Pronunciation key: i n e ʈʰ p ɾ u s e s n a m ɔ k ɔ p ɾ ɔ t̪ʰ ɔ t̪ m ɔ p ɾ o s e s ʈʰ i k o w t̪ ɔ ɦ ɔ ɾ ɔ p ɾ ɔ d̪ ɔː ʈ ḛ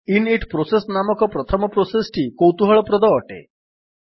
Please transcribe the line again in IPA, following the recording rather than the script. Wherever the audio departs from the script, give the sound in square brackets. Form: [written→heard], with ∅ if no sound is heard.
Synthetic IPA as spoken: i n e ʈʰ p ɾ [u→o] s e s n a m ɔ k ɔ p ɾ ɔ t̪ʰ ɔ [t̪→∅] m ɔ p ɾ o s e s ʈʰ i k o w t̪ [ɔ→u] ɦ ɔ [ɾ→ɭ] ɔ p ɾ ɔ d̪ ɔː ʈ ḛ